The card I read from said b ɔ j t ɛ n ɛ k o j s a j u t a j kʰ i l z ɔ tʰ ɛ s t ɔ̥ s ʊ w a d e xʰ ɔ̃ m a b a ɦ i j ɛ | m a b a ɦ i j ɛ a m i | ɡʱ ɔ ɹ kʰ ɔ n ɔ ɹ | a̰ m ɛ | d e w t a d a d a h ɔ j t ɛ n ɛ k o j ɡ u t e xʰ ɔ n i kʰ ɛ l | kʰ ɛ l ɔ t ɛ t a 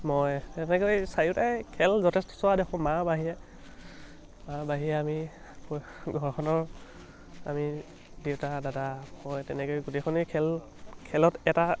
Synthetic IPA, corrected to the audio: m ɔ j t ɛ n ɛ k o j s a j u t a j kʰ ɛ l z ɔ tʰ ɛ s t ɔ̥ s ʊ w a d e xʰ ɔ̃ m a b a ɦ i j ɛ | m a b a ɦ i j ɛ a m i | ɡʱ ɔ ɹ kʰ ɔ n ɔ ɹ | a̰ m i | d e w t a d a d a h ɔ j t ɛ n ɛ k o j ɡ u t e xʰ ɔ n i kʰ ɛ l | kʰ ɛ l ɔ t ɛ t a

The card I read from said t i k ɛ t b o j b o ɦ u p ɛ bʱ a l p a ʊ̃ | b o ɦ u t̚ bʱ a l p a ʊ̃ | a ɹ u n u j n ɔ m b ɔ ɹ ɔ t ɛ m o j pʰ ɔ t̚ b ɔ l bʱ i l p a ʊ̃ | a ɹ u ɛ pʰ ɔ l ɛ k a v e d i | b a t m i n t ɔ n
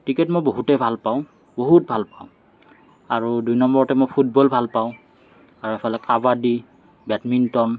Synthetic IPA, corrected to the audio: t i k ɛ t m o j b o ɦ u t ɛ bʱ a l p a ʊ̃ | b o ɦ u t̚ bʱ a l p a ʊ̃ | a ɹ u d u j n ɔ m b ɔ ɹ ɔ t ɛ m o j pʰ u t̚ b ɔ l bʱ a l p a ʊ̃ | a ɹ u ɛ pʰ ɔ l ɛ k a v a d i | b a t m i n t ɔ n

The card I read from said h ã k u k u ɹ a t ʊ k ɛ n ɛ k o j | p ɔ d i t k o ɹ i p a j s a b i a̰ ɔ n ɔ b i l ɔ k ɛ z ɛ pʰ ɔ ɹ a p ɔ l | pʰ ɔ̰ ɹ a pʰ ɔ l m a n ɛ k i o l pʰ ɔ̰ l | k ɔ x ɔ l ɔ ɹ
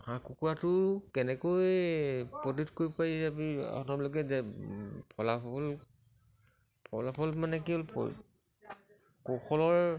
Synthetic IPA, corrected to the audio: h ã k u k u ɹ a t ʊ k ɛ n ɛ k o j | p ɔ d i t k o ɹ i p a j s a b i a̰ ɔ n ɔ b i l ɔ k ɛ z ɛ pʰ ɔ l a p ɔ l | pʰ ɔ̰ l a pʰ ɔ l m a n ɛ k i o l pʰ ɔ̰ l | k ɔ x ɔ l ɔ ɹ

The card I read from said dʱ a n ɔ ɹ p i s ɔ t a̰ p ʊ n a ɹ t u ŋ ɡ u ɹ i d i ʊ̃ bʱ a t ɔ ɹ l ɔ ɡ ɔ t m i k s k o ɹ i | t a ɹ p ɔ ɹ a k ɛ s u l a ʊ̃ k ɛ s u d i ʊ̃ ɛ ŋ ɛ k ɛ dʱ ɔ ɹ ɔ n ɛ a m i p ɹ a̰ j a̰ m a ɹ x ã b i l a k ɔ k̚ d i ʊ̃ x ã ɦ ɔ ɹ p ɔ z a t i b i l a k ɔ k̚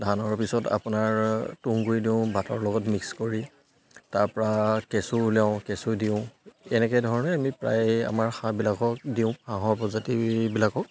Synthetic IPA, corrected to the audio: dʱ a n ɔ ɹ p i s ɔ t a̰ p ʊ n a ɹ t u ŋ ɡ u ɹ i d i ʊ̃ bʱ a t ɔ ɹ l ɔ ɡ ɔ t m i k s k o ɹ i | t a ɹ p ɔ ɹ a k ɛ s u l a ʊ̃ k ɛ s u d i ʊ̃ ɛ n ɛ k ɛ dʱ ɔ ɹ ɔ n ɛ a m i p ɹ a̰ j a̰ m a ɹ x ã b i l a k ɔ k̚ d i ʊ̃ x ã ɦ ɔ ɹ p ɔ z a t i b i l a k ɔ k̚

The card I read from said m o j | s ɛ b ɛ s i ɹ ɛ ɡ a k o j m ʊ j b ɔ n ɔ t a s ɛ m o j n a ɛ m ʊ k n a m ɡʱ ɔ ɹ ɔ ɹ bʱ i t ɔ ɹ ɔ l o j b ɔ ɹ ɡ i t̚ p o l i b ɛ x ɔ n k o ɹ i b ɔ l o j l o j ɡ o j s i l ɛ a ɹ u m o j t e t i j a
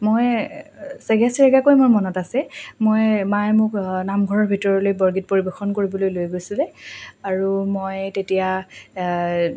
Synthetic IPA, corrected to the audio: m o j | s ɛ ɡ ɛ s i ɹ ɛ ɡ a k o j m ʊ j m ɔ n ɔ t a s ɛ m o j m a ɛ m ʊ k n a m ɡʱ ɔ ɹ ɔ ɹ bʱ i t ɔ ɹ ɔ l o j b ɔ ɹ ɡ i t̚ p o ɹ i b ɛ x ɔ n k o ɹ i b ɔ l o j l o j ɡ o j s i l ɛ a ɹ u m o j t e t i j a

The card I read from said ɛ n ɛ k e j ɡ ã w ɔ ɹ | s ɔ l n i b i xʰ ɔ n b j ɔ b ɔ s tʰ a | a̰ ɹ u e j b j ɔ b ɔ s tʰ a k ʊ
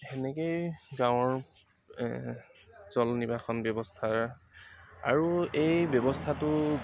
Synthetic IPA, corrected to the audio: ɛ n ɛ k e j ɡ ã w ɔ ɹ | z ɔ l n i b a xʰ ɔ n b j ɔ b ɔ s tʰ a | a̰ ɹ u e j b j ɔ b ɔ s tʰ a t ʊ

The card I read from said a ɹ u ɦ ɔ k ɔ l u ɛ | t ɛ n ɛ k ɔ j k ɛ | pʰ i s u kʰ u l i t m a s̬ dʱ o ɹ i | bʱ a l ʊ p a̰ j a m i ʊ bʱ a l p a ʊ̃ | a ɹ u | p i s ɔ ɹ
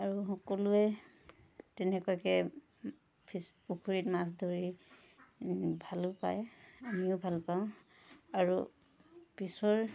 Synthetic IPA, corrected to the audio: a ɹ u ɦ ɔ k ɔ l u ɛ | t ɛ n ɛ k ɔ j k ɛ | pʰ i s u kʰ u ɹ i t m a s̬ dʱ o ɹ i | bʱ a l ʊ p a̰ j a m i ʊ bʱ a l p a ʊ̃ | a ɹ u | p i s ɔ ɹ

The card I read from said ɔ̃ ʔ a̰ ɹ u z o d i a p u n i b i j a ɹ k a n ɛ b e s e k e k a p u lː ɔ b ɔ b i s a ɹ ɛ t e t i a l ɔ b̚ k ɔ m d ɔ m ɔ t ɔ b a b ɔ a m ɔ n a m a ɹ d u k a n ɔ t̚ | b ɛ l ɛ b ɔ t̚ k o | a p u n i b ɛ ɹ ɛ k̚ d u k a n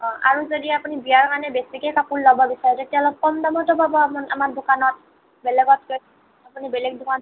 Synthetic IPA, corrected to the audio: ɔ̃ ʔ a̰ ɹ u z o d i a p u n i b i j a ɹ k a n ɛ b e s i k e k a p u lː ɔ b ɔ b i s a ɹ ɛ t e t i a l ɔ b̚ k ɔ m d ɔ m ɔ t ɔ b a b ɔ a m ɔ n a m a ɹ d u k a n ɔ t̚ | b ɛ l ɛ ɡ ɔ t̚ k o | a p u n i b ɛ l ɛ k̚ d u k a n

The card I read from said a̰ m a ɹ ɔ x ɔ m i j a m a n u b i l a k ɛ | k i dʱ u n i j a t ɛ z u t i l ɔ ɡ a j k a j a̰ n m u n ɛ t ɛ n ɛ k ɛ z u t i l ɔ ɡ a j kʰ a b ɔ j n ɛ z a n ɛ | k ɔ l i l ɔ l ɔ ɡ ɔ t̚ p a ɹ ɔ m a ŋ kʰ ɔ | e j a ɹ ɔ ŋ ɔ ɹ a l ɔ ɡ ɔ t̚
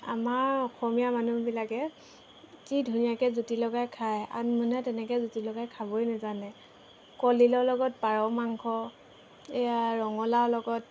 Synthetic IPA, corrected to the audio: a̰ m a ɹ ɔ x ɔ m i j a m a n u b i l a k ɛ | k i dʱ u n i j a k ɛ z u t i l ɔ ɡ a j kʰ a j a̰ n m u n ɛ t ɛ n ɛ k ɛ z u t i l ɔ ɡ a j kʰ a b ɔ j n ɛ z a n ɛ | k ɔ l i l ɔ l ɔ ɡ ɔ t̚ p a ɹ ɔ m a ŋ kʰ ɔ | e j a ɹ ɔ ŋ ɔ l a l ɔ ɡ ɔ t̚

